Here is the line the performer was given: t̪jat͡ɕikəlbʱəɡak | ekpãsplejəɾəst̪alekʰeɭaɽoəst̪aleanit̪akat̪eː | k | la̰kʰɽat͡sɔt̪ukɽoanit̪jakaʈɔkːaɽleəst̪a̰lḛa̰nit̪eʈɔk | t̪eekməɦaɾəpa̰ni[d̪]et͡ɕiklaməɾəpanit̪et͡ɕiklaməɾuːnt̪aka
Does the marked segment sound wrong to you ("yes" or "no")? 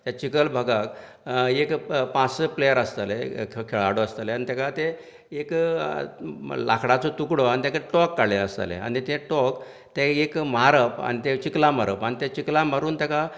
yes